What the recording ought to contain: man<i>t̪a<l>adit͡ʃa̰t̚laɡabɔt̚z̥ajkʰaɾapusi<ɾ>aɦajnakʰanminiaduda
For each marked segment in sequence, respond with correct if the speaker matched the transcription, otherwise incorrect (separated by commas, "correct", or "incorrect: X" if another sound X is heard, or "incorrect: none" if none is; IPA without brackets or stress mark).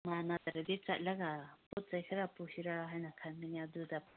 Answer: incorrect: a, incorrect: ɾ, correct